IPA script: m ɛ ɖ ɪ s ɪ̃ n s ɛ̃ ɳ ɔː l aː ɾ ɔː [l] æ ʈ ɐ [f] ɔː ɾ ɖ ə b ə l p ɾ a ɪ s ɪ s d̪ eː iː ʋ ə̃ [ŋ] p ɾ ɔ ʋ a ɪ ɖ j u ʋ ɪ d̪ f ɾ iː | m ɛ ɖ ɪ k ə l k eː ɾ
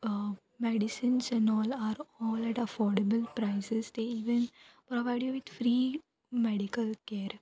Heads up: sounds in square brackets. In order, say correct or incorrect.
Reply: correct, correct, incorrect

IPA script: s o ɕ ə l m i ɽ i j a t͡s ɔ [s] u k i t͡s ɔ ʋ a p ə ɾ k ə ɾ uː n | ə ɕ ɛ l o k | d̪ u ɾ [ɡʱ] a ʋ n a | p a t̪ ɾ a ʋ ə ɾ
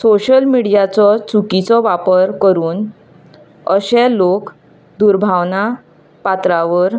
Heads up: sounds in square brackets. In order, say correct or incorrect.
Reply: incorrect, incorrect

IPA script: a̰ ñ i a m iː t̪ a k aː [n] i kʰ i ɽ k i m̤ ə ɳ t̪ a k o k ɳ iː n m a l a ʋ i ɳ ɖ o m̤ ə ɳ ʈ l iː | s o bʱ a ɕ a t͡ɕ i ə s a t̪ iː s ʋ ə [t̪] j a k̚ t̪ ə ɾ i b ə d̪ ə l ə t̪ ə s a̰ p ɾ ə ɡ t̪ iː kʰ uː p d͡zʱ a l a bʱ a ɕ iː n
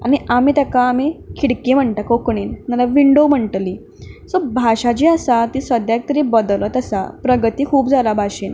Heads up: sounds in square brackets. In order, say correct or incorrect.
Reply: incorrect, incorrect

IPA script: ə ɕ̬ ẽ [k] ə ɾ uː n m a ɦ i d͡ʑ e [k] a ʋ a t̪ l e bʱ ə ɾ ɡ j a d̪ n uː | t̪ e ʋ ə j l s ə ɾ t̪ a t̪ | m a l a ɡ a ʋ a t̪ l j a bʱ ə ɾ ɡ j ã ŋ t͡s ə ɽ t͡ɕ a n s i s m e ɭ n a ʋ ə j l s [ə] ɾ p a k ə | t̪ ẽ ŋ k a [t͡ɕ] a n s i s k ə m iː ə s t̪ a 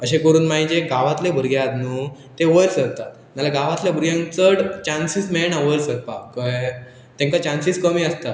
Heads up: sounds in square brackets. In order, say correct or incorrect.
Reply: correct, incorrect, correct, correct

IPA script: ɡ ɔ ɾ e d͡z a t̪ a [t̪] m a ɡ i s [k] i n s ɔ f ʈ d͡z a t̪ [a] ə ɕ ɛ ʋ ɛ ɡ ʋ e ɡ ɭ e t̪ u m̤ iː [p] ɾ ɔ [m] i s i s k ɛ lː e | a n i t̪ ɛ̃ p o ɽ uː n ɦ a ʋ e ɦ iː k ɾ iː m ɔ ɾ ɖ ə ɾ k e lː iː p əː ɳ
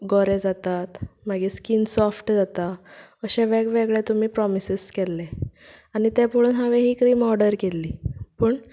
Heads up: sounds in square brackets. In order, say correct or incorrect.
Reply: correct, correct, correct, correct, correct

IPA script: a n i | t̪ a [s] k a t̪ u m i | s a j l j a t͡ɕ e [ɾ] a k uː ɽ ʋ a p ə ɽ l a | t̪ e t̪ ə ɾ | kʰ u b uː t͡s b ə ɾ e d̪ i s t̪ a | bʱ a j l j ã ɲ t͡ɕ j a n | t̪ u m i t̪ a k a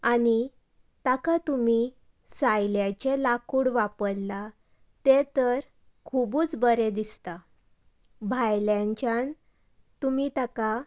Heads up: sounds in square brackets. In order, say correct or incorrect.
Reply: incorrect, incorrect

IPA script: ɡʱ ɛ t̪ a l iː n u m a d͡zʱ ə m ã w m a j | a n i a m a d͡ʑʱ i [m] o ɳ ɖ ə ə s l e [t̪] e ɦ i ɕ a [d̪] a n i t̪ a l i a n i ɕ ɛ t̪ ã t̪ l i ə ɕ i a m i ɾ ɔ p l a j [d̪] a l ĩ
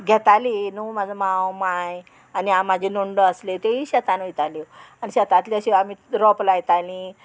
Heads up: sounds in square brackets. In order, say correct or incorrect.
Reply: incorrect, correct, incorrect, incorrect

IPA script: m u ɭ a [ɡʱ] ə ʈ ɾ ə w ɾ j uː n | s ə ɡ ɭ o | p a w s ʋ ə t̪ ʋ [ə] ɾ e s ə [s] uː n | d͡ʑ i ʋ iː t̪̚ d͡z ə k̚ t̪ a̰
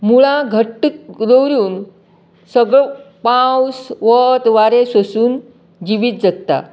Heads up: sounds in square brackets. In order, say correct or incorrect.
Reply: correct, incorrect, correct

